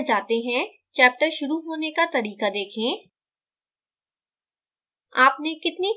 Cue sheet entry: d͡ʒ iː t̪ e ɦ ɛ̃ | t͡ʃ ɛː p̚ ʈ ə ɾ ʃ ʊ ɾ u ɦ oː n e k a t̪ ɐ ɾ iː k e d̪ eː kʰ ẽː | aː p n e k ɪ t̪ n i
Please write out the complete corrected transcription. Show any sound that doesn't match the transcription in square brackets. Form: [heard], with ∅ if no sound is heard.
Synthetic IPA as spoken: d͡ʒ [aː] t̪ e ɦ ɛ̃ | t͡ʃ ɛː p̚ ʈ ə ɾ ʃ ʊ ɾ u ɦ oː n e k a t̪ ɐ ɾ iː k [a] d̪ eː kʰ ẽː | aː p n e k ɪ t̪ n i